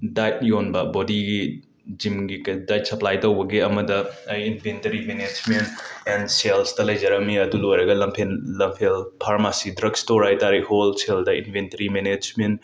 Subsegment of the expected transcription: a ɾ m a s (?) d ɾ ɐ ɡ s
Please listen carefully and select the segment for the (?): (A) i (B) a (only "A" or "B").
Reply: A